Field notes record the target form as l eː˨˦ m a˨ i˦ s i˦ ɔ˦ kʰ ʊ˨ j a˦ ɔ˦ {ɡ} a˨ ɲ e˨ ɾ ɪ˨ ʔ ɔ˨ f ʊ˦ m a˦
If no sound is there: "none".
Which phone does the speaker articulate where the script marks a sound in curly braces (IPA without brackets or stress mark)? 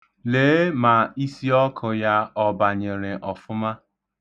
b